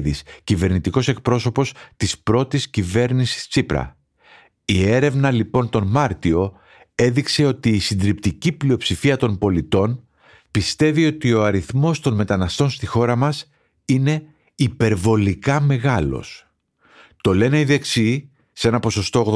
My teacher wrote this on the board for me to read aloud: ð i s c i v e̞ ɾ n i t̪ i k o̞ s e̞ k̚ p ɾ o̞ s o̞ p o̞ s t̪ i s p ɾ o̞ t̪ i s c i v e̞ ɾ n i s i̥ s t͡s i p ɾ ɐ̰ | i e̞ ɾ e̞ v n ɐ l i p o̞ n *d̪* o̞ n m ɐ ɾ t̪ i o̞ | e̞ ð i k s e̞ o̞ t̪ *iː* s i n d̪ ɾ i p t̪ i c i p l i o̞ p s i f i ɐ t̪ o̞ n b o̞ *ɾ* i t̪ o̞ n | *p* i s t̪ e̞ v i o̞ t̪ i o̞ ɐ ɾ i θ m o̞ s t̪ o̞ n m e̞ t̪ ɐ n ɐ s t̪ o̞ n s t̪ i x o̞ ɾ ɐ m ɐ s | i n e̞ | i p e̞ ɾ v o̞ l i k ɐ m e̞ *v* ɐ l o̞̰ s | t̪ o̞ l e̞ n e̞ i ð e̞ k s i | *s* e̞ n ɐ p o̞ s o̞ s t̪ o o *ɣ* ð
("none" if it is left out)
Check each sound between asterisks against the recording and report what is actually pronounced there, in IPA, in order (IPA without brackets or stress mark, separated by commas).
t̪, iː, l, p, ɣ, s, ɣ